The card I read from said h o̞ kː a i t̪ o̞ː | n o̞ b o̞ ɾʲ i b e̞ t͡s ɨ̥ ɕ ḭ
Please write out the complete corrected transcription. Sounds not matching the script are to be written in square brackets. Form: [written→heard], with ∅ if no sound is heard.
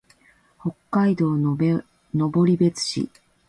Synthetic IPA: h o̞ kː a i [t̪→d̪] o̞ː | n o̞ b o̞ ɾʲ i b e̞ t͡s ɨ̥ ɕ ḭ